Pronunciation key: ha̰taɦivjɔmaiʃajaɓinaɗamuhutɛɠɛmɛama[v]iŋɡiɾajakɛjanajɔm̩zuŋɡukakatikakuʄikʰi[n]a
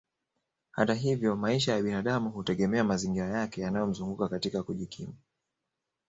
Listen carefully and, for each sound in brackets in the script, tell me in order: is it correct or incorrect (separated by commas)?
incorrect, incorrect